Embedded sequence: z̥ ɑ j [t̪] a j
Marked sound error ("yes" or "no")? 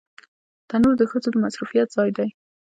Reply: yes